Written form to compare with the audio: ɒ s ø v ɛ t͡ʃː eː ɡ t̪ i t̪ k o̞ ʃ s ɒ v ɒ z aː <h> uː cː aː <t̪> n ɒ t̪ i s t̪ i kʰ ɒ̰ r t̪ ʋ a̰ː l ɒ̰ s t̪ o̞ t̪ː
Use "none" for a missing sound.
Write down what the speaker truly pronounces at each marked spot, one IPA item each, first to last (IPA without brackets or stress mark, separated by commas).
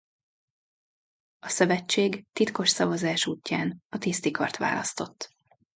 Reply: ʃ, none